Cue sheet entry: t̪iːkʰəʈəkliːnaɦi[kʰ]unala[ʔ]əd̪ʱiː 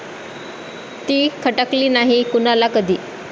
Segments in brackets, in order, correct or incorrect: incorrect, incorrect

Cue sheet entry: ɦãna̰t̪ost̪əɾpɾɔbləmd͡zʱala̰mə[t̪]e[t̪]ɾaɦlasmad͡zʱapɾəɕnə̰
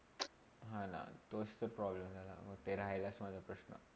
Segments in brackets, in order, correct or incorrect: correct, incorrect

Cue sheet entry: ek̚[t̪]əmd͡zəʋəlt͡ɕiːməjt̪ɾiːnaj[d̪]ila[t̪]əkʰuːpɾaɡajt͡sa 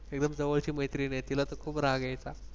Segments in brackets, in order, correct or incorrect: incorrect, incorrect, correct

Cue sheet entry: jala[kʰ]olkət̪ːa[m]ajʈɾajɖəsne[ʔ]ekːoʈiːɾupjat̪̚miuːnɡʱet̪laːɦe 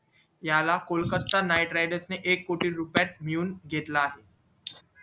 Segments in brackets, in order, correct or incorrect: incorrect, incorrect, correct

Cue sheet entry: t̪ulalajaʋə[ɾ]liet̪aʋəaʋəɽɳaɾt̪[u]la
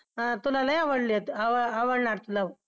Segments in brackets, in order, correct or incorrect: incorrect, correct

